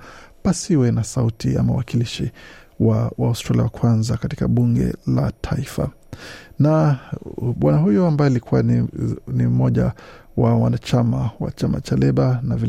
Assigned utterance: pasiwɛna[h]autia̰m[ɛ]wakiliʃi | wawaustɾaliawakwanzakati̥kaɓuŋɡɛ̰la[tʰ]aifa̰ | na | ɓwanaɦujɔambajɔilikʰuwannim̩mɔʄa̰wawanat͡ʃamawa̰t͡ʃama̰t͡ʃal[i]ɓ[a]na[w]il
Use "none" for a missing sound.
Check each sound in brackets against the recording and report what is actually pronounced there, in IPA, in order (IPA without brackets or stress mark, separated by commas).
s, a, tʰ, ɛ, a, v